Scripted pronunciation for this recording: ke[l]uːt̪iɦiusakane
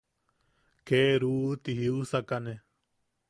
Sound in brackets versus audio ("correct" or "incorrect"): incorrect